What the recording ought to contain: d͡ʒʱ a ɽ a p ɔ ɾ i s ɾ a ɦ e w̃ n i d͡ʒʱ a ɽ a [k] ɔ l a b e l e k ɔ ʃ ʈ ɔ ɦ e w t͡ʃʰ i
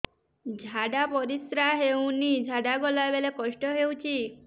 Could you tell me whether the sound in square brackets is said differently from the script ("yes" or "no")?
yes